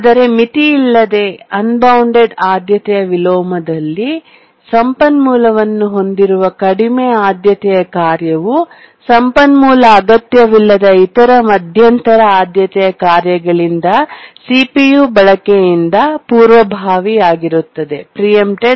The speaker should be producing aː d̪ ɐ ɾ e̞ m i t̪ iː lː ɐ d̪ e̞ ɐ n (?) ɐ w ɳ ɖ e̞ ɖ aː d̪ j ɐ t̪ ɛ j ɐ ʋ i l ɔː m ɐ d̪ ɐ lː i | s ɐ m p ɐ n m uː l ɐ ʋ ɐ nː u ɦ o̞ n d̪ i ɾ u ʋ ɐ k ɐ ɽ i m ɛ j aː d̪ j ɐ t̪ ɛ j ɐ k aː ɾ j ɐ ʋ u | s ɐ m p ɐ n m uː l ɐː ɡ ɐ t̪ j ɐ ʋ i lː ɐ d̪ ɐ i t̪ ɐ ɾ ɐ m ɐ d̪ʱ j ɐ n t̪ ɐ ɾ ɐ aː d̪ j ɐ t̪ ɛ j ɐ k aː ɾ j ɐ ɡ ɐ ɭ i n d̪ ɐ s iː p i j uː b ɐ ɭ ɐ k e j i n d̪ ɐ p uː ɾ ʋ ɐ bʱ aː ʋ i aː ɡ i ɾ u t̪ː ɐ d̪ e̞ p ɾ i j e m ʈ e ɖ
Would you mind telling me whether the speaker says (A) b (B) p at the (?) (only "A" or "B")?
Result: A